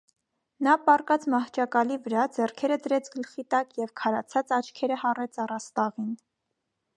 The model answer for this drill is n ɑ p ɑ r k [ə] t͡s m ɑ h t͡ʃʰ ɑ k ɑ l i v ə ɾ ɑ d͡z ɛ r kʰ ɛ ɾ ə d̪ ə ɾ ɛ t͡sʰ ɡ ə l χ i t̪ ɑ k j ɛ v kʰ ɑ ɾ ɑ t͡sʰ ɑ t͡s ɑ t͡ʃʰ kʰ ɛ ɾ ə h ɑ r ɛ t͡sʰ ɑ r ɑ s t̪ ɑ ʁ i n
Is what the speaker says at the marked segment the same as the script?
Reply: no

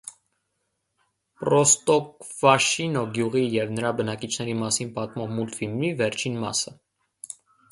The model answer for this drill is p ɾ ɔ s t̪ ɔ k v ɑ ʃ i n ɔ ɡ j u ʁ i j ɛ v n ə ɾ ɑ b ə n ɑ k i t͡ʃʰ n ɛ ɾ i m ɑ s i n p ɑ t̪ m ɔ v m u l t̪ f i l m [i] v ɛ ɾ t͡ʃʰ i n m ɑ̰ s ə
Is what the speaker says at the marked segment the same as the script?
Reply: yes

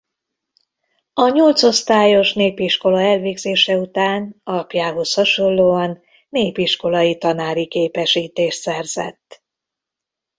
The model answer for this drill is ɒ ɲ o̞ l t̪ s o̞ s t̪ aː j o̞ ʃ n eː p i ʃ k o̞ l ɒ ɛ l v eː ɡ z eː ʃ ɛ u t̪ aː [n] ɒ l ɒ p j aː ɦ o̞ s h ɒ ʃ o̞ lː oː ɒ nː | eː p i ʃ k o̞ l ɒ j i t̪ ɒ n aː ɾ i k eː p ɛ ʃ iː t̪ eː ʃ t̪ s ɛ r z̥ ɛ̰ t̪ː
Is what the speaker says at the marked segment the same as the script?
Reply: yes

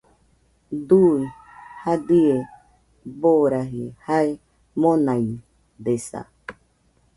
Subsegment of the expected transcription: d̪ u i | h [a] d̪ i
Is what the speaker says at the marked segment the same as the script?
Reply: yes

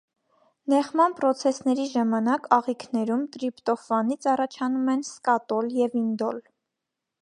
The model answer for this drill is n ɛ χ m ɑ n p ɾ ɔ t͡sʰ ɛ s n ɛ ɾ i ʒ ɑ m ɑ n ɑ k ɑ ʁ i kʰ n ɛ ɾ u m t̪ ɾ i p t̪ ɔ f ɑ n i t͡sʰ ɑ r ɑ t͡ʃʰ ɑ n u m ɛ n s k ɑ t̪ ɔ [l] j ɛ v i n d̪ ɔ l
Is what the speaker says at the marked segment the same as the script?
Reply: yes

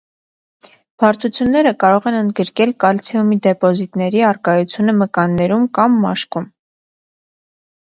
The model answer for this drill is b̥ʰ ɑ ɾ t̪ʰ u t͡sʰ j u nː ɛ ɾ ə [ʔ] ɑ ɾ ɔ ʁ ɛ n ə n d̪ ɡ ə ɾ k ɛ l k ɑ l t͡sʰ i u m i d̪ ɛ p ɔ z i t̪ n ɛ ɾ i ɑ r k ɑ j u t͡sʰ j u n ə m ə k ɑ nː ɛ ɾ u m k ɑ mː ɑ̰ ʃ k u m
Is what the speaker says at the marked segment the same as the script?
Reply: no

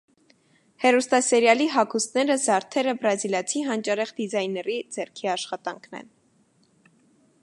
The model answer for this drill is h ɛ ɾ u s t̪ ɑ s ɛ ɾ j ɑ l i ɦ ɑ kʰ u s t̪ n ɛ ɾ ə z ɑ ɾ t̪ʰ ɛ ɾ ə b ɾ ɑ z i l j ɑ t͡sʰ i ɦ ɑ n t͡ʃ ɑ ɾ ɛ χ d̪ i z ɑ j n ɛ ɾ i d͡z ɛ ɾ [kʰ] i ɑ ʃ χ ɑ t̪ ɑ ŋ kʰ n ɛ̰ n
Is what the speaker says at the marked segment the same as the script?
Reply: yes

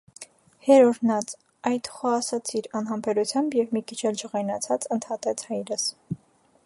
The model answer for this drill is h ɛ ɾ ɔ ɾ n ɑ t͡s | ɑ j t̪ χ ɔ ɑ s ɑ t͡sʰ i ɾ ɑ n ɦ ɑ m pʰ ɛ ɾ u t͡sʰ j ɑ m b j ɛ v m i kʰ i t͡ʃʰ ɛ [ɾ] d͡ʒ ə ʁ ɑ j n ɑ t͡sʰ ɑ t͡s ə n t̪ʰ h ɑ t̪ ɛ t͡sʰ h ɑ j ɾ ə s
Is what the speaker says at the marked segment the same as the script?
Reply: no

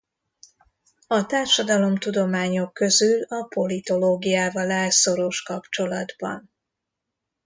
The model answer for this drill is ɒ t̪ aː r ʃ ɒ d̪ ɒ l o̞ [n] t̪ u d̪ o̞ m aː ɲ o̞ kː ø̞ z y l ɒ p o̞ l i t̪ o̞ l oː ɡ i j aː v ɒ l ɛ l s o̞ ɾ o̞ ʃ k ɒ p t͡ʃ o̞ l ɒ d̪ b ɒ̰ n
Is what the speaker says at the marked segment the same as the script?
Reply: no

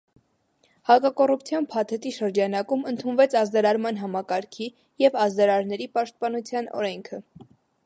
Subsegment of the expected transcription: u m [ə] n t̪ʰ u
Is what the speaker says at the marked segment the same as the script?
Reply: yes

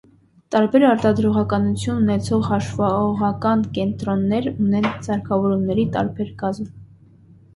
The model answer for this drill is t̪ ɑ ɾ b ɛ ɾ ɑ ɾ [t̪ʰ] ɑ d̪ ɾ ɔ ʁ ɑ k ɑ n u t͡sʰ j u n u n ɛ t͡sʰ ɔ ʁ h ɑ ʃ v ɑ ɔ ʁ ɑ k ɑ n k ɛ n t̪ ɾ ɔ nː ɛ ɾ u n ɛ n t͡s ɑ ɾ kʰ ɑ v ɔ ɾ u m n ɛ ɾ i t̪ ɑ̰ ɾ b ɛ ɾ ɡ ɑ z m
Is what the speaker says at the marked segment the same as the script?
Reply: no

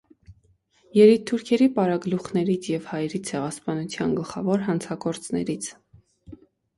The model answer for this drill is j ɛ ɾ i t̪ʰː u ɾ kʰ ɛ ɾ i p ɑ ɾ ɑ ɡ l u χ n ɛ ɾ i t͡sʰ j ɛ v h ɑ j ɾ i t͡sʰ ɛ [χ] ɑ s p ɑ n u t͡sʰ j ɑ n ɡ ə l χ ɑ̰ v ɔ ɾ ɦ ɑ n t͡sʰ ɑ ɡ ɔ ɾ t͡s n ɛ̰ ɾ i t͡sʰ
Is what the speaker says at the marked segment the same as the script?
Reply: no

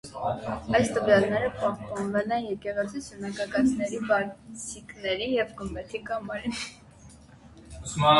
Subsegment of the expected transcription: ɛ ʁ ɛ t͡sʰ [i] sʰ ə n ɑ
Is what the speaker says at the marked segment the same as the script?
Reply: yes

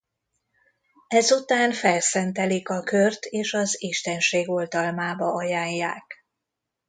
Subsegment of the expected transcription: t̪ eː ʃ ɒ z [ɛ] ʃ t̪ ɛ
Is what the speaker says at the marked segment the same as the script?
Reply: no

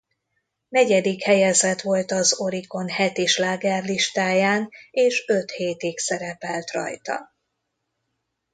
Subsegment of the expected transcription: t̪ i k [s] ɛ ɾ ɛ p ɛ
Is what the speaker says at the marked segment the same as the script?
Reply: yes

